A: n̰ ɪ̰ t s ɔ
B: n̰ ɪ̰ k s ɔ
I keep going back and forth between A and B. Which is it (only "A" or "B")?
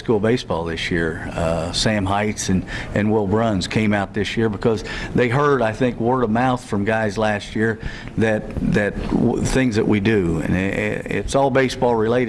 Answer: A